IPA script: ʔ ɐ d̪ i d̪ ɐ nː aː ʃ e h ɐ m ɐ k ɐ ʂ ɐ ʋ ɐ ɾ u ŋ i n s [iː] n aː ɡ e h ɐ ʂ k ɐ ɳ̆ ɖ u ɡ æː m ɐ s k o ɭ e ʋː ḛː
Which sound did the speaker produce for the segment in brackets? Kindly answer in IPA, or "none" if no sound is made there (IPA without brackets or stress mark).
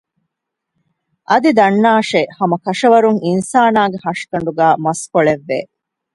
aː